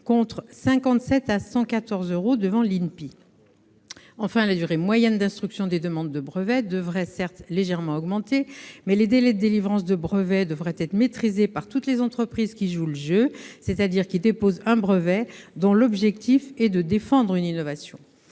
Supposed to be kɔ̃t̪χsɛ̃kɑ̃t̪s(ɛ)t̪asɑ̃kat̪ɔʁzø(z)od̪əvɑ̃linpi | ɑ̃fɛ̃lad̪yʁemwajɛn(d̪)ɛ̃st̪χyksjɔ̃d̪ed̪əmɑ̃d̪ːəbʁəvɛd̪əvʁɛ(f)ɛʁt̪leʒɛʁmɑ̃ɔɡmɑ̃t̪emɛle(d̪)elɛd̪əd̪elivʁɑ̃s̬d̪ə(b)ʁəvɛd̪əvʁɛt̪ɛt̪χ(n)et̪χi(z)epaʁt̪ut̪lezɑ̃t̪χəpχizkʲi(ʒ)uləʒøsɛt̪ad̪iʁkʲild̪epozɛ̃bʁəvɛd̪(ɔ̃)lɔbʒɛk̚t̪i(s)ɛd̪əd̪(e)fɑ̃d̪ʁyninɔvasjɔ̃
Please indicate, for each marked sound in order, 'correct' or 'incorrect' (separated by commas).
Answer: correct, incorrect, correct, incorrect, correct, correct, incorrect, correct, correct, correct, incorrect, correct